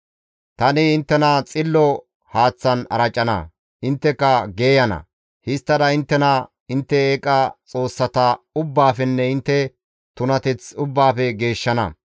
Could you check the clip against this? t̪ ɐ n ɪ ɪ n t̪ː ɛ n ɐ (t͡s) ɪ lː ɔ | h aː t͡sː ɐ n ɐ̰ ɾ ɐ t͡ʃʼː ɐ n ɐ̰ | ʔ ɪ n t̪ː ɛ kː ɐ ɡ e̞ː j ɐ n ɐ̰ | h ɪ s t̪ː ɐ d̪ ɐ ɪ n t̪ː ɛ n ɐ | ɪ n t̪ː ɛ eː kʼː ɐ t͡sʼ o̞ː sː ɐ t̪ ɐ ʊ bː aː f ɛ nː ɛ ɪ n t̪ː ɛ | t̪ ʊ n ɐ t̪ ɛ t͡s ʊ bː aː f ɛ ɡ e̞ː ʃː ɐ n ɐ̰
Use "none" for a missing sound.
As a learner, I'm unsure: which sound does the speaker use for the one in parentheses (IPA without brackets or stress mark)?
t͡sʼ